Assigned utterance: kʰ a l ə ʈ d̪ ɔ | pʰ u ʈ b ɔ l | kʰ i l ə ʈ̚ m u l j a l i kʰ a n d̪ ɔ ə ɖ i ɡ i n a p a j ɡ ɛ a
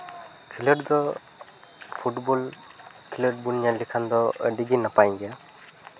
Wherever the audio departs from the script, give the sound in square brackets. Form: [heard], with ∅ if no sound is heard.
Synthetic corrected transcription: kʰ [i] l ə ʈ d̪ ɔ | pʰ u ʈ b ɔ l | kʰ i l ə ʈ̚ [b] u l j a l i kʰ a n d̪ ɔ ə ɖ i ɡ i n a p a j ɡ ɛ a